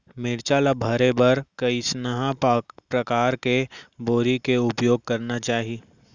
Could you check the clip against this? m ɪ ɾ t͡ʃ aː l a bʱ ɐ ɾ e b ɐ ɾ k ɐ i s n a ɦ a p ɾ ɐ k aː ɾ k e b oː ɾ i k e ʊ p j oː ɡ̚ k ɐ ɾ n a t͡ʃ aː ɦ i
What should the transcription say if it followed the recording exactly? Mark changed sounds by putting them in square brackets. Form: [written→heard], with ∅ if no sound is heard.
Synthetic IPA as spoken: m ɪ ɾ t͡ʃ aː l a bʱ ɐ ɾ e b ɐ ɾ k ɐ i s n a ɦ a p ɾ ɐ k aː ɾ k e b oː ɾ i k e ʊ p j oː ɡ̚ k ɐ ɾ n a t͡ʃ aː ɦ i